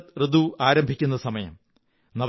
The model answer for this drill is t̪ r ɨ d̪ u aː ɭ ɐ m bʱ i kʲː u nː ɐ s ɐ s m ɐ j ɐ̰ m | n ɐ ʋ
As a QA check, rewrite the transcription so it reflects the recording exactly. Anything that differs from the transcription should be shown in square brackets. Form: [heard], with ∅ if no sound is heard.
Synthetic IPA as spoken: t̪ r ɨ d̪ u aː [ɾ] ɐ m bʱ i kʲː u nː ɐ s ɐ [∅] m ɐ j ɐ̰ m | n ɐ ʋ